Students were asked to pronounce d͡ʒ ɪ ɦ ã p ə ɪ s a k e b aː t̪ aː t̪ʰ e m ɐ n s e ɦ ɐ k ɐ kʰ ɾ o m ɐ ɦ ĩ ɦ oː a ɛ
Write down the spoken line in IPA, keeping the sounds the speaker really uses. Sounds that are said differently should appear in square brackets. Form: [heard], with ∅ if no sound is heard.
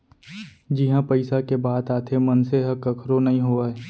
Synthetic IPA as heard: d͡ʒ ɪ ɦ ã p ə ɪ s a k e b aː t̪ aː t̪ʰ e m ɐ n s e ɦ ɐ k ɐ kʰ ɾ o [n] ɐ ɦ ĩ ɦ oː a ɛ